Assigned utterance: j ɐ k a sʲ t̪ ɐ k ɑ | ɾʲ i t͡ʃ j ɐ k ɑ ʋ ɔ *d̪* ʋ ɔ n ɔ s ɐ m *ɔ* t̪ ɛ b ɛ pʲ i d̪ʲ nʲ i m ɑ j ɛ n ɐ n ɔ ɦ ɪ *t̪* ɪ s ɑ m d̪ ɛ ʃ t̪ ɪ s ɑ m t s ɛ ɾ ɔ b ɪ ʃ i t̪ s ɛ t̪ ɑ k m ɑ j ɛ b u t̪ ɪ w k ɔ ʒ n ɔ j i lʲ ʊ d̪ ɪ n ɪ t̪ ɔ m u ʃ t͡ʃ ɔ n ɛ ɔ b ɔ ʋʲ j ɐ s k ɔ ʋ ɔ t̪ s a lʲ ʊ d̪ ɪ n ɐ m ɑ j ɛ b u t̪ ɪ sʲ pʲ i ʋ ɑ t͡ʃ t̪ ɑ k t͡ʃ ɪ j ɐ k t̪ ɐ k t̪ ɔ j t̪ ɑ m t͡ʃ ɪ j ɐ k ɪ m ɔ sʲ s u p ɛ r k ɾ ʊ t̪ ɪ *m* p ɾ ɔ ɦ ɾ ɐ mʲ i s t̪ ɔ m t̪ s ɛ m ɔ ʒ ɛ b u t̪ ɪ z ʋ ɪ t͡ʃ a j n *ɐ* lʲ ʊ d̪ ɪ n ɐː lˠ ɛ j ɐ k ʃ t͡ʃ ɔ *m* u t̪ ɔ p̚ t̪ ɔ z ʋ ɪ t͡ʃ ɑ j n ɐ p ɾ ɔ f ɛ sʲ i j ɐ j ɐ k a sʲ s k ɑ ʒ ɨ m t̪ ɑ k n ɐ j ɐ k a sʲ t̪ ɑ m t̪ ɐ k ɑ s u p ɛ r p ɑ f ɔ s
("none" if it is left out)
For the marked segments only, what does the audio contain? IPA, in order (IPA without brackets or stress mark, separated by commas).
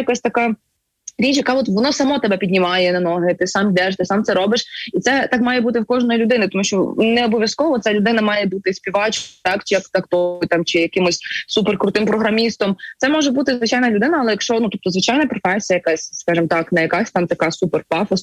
t̪, ɔ, t̪, m, ɐ, n